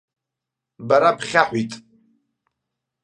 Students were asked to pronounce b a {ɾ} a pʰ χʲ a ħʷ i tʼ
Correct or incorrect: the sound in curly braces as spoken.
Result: correct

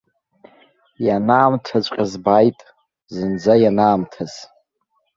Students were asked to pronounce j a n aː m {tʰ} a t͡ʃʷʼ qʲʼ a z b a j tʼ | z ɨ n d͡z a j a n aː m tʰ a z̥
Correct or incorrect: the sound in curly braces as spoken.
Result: correct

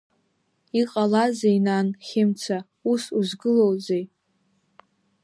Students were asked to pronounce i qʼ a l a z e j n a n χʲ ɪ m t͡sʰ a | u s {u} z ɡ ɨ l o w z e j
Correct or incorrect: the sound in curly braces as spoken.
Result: correct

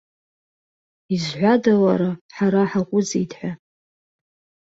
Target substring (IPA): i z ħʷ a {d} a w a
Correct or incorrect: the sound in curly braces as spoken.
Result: correct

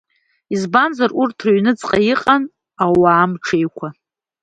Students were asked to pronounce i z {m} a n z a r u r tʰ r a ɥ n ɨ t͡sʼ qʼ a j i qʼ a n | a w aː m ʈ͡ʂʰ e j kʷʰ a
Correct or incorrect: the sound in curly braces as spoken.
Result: incorrect: b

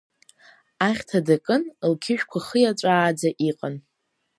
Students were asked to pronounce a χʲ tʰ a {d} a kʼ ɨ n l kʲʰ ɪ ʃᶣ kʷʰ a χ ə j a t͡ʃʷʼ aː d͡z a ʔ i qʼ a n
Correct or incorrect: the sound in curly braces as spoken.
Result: correct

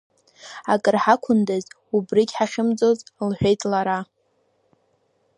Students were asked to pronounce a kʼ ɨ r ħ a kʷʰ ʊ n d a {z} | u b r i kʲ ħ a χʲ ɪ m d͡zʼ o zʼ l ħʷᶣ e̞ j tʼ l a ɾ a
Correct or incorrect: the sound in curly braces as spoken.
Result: correct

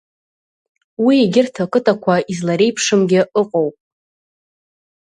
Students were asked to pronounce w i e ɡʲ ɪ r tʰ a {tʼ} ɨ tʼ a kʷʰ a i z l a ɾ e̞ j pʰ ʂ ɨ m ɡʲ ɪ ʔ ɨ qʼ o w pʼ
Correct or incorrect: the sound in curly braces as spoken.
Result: incorrect: kʼ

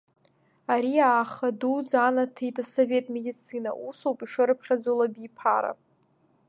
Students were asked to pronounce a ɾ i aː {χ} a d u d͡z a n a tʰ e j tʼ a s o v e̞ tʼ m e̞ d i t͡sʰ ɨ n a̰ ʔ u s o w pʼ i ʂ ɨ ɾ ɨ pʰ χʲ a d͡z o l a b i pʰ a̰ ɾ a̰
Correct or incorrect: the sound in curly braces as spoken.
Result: correct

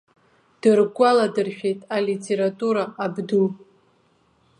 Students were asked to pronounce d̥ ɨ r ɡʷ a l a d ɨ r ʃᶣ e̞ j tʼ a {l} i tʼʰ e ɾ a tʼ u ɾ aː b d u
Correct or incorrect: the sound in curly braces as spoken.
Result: correct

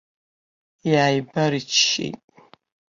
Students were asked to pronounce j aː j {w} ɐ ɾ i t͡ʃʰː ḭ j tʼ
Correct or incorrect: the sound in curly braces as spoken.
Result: incorrect: b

